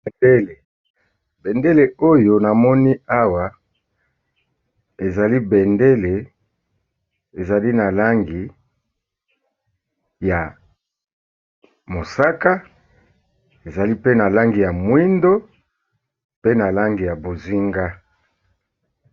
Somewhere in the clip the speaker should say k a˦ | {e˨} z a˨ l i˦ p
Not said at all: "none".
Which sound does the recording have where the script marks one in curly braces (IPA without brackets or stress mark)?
e˨